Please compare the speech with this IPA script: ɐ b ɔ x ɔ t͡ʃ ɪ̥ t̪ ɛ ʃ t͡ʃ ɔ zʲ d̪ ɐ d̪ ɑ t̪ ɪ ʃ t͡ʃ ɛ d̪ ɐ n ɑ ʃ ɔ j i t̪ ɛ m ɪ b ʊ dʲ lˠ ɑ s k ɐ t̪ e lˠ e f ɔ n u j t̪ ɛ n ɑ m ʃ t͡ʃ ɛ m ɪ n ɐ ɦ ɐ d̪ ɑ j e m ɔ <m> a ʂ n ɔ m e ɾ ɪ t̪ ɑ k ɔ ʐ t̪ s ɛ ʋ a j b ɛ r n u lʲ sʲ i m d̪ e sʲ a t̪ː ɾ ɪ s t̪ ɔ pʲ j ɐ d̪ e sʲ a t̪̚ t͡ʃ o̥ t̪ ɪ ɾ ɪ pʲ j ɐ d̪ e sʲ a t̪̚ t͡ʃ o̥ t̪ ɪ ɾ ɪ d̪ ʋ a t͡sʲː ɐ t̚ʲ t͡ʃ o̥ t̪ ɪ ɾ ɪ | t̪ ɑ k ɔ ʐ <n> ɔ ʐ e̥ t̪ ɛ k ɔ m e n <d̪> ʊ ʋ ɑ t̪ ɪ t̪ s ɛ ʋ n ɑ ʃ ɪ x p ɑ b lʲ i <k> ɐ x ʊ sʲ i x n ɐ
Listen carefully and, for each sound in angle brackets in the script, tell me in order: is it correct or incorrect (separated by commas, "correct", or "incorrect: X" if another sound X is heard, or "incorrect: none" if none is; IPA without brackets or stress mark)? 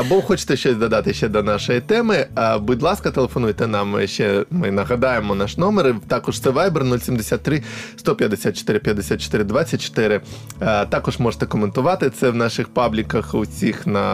incorrect: n, incorrect: m, incorrect: t̪, correct